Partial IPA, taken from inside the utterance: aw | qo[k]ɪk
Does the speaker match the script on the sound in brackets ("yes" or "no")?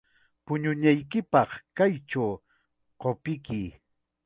no